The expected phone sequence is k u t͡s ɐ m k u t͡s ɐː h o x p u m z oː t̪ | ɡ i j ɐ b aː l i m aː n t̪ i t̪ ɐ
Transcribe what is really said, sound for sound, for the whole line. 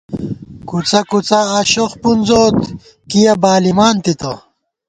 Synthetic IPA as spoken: k u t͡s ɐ k u t͡s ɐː ɕ o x p u n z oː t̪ | k i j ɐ b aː l i m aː n t̪ i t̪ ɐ